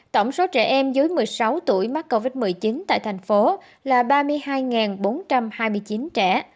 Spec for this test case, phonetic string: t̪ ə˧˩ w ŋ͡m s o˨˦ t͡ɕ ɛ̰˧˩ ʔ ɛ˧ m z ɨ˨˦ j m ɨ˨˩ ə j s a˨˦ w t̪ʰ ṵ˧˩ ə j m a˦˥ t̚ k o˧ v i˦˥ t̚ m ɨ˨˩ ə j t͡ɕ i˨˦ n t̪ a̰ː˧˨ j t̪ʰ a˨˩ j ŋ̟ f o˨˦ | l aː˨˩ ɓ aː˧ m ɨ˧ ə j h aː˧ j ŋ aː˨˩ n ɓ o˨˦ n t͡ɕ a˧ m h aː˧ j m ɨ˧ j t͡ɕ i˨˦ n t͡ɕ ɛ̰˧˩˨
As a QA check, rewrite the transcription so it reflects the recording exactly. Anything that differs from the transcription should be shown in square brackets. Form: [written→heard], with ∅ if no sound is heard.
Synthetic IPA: t̪ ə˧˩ w ŋ͡m s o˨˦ t͡ɕ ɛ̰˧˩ ʔ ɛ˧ m z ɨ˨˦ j m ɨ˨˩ ə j s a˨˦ w [t̪ʰ→t̪] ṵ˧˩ ə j m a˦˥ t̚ k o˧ v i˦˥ t̚ m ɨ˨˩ ə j t͡ɕ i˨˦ n t̪ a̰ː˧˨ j t̪ʰ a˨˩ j ŋ̟ f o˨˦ | l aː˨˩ ɓ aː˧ m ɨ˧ ə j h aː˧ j ŋ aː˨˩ n ɓ o˨˦ n t͡ɕ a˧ m h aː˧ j m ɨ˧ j t͡ɕ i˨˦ n t͡ɕ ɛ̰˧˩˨